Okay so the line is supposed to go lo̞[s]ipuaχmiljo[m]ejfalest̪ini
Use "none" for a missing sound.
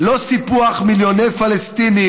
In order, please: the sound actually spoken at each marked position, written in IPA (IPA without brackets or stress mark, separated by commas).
s, n